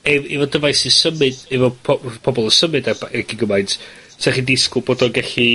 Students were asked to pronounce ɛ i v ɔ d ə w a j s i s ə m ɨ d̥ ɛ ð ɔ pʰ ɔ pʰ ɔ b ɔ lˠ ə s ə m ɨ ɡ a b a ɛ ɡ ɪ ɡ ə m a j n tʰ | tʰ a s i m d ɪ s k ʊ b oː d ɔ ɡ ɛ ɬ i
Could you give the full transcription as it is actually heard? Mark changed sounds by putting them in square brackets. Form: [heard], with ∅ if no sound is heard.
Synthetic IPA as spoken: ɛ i v ɔ d ə [v] a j s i s ə m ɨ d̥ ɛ [v] ɔ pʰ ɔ pʰ ɔ b ɔ lˠ ə s ə m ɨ [d] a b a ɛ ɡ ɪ ɡ ə m a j n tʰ | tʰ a [χ] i [∅] d ɪ s k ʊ b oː d ɔ ɡ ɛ ɬ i